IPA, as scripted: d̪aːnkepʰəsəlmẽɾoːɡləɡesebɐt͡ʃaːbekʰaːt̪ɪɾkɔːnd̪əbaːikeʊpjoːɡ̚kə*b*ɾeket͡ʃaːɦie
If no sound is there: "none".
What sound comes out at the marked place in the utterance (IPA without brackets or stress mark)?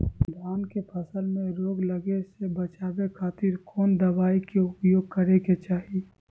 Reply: none